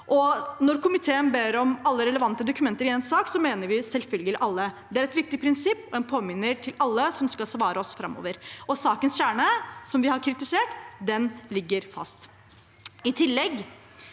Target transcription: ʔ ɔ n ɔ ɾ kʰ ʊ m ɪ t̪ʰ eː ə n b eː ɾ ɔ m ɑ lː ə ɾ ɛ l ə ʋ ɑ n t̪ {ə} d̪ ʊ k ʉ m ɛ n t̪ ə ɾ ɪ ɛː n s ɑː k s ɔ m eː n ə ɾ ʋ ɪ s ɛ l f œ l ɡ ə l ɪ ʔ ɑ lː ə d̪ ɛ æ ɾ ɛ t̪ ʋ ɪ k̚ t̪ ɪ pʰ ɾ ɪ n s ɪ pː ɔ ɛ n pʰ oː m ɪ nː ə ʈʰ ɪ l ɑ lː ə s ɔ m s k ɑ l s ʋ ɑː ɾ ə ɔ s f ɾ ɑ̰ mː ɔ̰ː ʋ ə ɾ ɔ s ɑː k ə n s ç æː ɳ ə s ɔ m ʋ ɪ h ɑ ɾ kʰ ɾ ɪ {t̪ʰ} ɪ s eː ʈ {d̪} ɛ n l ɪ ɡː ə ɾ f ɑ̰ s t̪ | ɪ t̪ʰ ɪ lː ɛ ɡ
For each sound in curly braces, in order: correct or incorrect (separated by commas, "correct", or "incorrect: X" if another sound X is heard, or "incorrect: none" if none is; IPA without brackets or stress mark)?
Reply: correct, incorrect: t̪, correct